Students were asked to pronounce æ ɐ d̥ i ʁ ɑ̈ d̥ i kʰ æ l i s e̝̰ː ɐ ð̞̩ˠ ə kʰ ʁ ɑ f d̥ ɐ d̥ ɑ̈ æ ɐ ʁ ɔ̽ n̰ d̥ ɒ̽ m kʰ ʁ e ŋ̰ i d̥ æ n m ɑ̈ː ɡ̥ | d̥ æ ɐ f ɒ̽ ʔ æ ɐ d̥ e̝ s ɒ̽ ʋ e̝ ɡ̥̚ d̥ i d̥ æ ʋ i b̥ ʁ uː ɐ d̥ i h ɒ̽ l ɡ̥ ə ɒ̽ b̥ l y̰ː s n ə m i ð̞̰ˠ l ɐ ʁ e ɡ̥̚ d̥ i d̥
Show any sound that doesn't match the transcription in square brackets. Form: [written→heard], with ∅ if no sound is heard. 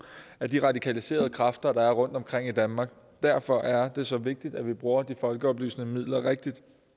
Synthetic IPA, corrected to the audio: æ ɐ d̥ i ʁ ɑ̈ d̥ i kʰ æ l i s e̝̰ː ɐ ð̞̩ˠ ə kʰ ʁ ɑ f d̥ ɐ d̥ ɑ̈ æ ɐ ʁ ɔ̽ n̰ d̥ ɒ̽ m kʰ ʁ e ŋ̰ i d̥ æ n m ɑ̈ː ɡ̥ | d̥ æ ɐ f ɒ̽ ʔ æ ɐ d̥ e̝ s ɒ̽ ʋ e̝ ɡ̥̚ d̥ i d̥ æ ʋ i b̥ ʁ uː ɐ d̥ i [h→f] ɒ̽ l ɡ̥ ə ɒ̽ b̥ l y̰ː s n ə m i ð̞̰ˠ l ɐ ʁ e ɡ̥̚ d̥ i d̥